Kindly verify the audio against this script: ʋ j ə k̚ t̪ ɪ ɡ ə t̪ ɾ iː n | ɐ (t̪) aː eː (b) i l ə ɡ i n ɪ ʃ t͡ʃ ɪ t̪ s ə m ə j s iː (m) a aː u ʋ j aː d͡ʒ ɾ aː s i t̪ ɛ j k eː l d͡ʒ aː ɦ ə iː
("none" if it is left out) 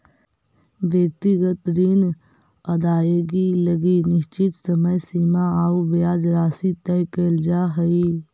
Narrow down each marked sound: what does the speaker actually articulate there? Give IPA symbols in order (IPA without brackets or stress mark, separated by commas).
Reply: d̪, ɡ, m